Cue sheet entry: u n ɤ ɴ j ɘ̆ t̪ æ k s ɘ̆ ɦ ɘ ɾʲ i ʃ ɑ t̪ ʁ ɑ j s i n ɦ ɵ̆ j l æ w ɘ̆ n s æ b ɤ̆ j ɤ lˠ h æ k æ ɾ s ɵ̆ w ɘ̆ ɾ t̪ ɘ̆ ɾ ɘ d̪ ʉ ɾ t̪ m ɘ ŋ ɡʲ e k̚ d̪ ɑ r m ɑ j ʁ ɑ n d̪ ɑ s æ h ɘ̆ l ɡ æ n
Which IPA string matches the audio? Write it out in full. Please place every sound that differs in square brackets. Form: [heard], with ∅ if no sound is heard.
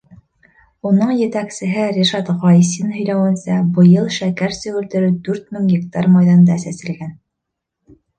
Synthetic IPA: u n ɤ ɴ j ɘ̆ t̪ æ k s ɘ̆ ɦ ɘ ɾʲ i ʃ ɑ t̪ ʁ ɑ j s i n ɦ ɵ̆ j l æ w ɘ̆ n s æ b ɤ̆ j ɤ lˠ [ʃ] æ k æ ɾ s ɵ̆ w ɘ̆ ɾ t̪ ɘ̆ ɾ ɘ d̪ ʉ ɾ t̪ m ɘ ŋ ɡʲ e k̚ [t̪] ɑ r m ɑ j [ð] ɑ n d̪ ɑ s æ [s] ɘ̆ l ɡ æ n